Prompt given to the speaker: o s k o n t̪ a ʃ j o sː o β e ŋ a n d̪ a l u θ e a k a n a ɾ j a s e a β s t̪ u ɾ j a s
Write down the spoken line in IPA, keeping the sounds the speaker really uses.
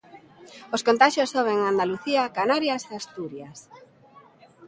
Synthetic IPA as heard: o s k o n t̪ a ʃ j o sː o β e ŋ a n d̪ a l u θ i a k a n a ɾ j a s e a s t̪ u ɾ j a s